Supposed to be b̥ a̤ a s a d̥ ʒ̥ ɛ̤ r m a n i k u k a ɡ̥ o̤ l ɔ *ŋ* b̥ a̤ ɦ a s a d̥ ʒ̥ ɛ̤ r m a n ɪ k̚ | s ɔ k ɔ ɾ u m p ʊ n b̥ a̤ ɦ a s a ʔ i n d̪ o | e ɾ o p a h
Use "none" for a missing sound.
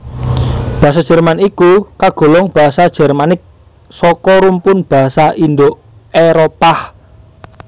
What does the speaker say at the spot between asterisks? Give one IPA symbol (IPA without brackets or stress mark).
ŋ